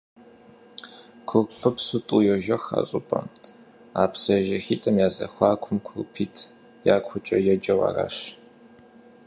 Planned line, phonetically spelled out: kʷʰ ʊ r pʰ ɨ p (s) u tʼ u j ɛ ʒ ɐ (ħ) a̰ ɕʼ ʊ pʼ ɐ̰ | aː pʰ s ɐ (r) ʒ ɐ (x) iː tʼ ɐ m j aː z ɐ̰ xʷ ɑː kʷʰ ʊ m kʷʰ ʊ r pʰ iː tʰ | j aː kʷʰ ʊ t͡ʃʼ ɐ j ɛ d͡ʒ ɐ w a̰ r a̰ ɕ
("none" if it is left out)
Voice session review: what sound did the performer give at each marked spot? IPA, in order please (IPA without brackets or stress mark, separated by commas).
s, x, none, x